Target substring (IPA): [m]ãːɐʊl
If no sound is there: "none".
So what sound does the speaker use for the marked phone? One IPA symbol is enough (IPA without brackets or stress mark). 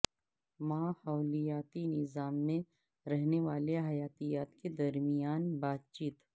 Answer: m